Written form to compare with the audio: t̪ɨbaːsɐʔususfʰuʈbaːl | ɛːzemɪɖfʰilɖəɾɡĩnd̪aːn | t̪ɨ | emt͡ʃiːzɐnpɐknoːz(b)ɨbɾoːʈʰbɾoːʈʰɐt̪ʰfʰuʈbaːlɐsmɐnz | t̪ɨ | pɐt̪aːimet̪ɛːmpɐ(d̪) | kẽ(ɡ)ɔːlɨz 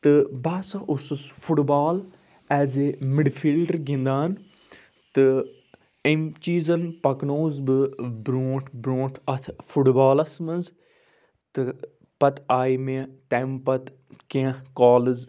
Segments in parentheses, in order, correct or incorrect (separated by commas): correct, incorrect, incorrect